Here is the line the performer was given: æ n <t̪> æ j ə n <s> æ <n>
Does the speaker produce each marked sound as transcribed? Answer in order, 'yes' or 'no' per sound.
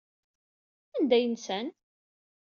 no, yes, yes

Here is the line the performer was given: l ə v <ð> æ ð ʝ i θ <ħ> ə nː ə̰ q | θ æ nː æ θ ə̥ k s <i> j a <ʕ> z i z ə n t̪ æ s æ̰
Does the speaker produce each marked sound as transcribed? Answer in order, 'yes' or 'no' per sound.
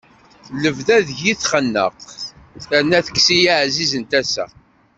yes, no, yes, yes

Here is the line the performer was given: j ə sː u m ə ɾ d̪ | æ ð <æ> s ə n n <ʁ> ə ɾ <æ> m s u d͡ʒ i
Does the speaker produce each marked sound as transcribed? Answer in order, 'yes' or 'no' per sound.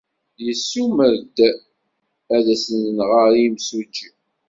yes, yes, no

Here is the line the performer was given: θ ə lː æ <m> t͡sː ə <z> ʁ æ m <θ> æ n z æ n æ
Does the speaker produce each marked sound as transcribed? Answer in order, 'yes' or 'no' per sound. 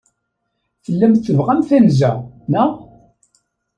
yes, no, yes

